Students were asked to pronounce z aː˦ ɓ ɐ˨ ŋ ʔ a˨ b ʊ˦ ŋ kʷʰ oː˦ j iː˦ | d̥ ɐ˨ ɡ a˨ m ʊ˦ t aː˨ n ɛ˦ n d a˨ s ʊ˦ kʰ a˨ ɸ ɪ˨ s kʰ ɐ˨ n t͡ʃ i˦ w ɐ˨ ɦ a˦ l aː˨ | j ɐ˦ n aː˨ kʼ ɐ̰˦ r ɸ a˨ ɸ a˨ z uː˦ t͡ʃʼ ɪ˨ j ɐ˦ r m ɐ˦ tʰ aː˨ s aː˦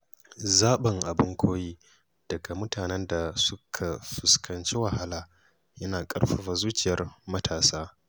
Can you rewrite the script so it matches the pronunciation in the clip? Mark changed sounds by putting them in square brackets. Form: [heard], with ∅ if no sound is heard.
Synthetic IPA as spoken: z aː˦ ɓ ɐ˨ ŋ ʔ a˨ b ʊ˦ ŋ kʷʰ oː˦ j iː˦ | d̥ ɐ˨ ɡ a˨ m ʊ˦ t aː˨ n ɛ˦ n d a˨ s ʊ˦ kʰ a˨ ɸ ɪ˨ s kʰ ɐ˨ n t͡ʃ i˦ w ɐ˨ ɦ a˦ l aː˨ | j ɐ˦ n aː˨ kʼ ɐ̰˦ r ɸ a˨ ɸ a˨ z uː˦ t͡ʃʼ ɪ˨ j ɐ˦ r m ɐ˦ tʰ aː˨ s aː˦